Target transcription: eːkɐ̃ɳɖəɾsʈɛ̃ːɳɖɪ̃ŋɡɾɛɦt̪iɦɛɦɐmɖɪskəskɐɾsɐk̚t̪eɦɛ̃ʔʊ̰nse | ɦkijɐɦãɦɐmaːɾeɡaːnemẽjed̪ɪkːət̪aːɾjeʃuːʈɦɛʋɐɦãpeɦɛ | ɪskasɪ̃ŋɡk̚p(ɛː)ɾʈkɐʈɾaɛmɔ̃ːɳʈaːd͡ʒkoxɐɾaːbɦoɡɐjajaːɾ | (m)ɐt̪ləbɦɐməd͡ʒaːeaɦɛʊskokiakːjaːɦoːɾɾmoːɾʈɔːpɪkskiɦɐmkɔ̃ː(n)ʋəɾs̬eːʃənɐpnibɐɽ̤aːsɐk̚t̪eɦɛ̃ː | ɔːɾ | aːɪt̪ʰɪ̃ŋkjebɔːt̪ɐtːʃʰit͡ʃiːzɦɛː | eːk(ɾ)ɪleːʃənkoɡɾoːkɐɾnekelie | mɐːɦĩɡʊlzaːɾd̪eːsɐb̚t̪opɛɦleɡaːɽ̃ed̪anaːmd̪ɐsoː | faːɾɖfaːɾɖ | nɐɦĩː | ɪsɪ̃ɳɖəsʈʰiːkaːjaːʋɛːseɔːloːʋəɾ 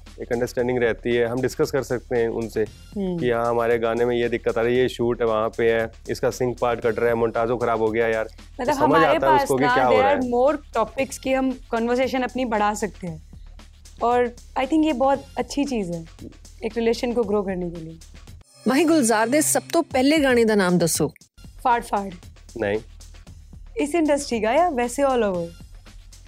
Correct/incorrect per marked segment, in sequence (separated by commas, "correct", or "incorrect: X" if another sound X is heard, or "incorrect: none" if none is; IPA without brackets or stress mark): incorrect: aː, correct, correct, correct